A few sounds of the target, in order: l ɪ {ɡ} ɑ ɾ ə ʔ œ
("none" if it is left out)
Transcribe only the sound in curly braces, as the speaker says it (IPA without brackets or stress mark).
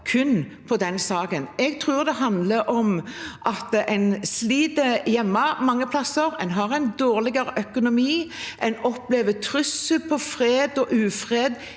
ɡ